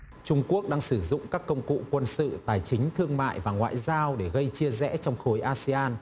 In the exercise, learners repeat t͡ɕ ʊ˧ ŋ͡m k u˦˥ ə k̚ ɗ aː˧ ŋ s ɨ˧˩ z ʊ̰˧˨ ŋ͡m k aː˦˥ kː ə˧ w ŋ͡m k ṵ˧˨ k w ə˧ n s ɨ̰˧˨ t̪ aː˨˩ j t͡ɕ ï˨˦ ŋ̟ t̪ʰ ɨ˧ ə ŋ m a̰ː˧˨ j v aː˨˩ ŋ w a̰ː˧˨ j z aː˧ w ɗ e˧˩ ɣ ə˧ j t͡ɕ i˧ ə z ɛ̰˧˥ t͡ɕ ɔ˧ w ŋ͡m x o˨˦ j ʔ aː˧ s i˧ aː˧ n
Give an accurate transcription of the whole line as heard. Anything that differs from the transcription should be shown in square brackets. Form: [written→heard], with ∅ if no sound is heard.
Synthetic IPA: t͡ɕ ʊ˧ ŋ͡m k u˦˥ ə k̚ ɗ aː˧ ŋ s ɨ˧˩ z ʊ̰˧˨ ŋ͡m k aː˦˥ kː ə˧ w ŋ͡m k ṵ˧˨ k w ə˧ n s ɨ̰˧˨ t̪ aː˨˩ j t͡ɕ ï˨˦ ŋ̟ t̪ʰ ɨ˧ ə ŋ m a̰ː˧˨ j v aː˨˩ ŋ w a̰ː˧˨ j z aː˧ w ɗ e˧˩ ɣ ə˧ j t͡ɕ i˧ ə z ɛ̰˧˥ t͡ɕ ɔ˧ w ŋ͡m x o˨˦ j ʔ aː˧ s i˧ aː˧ n